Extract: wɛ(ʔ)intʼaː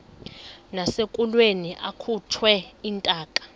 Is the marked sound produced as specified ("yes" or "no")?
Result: no